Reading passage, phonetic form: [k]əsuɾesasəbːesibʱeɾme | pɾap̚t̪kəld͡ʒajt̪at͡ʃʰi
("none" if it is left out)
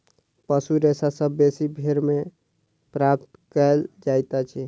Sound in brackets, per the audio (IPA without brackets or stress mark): p